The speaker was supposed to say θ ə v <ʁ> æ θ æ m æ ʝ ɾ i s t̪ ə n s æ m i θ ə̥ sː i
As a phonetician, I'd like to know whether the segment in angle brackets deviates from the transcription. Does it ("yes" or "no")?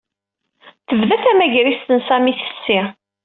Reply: yes